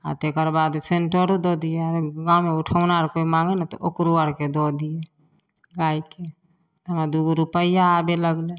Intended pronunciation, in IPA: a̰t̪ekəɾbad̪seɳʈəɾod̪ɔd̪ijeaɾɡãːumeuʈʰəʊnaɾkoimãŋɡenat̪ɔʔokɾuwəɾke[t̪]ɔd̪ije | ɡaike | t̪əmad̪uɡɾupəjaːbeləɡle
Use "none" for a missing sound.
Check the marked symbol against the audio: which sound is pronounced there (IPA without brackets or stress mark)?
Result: d̪